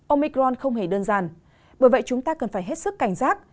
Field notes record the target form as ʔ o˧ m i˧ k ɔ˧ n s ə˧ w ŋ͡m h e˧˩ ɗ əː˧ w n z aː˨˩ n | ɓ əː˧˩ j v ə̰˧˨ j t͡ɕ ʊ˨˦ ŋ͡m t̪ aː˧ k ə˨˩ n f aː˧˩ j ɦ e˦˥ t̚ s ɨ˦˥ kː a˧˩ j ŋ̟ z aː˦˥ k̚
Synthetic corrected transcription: ʔ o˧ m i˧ k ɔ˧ n x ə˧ w ŋ͡m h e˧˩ ɗ əː˧ n z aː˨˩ n | ɓ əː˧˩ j v ə̰˧˨ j t͡ɕ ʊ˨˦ ŋ͡m t̪ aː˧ k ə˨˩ n f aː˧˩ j ɦ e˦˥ t̚ s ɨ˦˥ kː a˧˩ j ŋ̟ z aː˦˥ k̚